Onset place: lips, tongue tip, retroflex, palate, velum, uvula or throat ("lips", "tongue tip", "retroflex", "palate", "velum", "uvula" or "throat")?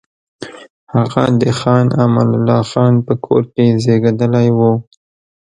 throat